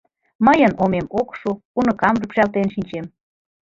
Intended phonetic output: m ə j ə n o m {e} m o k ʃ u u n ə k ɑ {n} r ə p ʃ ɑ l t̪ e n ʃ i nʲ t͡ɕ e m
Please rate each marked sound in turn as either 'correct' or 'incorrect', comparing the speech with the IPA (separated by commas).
correct, incorrect